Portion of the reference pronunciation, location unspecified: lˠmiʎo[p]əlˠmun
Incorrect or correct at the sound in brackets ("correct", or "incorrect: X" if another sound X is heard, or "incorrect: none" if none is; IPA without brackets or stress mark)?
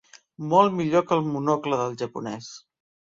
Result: incorrect: k